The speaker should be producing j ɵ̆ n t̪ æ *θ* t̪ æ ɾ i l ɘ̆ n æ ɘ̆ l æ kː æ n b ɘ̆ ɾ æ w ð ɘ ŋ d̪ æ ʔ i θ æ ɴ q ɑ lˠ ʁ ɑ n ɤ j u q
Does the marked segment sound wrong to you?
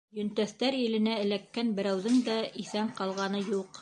no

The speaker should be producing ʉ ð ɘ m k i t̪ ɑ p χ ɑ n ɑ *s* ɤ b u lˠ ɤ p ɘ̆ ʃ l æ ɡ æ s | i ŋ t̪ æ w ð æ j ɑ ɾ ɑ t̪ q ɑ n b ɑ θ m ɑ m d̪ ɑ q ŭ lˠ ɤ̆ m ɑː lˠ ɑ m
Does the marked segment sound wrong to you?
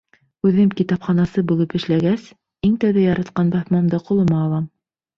no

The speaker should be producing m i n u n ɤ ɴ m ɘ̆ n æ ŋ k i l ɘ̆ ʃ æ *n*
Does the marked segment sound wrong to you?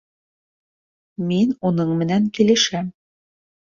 yes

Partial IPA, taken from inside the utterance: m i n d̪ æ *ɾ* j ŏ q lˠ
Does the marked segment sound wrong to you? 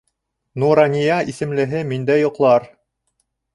yes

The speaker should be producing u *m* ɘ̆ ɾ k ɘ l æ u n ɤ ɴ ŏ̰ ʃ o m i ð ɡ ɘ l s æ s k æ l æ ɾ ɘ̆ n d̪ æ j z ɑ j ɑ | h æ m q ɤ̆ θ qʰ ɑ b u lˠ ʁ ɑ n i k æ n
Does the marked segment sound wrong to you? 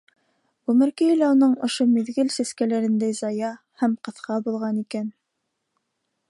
no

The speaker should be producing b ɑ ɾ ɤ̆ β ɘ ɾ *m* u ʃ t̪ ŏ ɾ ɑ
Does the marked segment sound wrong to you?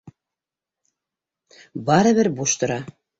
yes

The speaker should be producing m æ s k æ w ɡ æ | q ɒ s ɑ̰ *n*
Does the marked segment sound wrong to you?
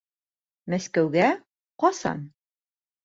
no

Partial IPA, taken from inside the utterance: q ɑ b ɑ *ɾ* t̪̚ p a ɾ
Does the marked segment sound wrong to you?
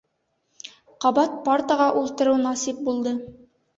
yes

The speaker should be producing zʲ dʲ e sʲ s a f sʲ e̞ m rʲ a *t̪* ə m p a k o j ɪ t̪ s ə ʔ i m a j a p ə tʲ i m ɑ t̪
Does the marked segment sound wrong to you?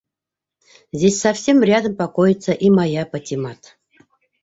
yes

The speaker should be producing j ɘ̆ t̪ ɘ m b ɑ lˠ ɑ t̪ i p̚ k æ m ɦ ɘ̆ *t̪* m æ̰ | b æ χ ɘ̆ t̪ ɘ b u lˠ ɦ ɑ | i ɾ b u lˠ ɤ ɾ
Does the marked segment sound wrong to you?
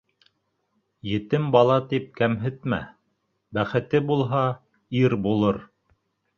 no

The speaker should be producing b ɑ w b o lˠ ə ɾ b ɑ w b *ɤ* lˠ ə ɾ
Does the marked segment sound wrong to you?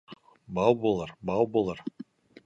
yes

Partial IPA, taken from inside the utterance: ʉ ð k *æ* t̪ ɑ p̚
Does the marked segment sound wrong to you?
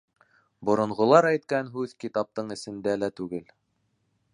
yes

